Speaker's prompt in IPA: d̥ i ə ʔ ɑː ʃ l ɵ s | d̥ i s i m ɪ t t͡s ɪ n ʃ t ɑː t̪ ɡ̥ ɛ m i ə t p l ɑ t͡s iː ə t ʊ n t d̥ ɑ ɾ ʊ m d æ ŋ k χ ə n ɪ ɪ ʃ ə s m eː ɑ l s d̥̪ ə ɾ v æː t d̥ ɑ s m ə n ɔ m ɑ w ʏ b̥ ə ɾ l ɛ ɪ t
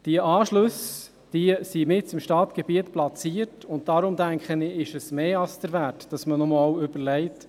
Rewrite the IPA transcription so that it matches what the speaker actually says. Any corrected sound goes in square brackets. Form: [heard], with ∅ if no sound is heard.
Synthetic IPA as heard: d̥ i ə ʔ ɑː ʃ l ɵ s | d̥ i s i m ɪ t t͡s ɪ [m] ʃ t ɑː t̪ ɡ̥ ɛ [b] i ə t p l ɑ t͡s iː ə t ʊ n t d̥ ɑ ɾ ʊ m d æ ŋ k χ ə n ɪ ɪ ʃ ə s m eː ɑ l s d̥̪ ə ɾ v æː t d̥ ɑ s m ə n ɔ m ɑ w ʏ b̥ ə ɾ l ɛ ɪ t